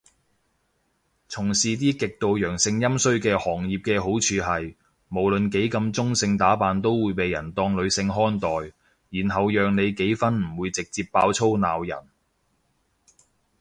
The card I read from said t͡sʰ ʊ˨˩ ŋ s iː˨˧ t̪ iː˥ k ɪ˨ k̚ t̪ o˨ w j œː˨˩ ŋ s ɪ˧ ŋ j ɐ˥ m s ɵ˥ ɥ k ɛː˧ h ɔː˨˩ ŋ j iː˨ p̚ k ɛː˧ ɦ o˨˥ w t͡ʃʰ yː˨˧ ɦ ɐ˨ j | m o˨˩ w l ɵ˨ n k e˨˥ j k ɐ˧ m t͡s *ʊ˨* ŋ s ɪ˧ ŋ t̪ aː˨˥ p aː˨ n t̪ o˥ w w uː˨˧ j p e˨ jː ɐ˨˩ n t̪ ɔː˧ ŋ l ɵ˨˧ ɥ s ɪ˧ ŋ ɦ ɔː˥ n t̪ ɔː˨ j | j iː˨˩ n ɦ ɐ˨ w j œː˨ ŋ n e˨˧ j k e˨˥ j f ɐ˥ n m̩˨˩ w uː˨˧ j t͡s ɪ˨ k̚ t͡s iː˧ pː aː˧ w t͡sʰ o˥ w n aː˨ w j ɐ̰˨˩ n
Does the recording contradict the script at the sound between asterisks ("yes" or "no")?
yes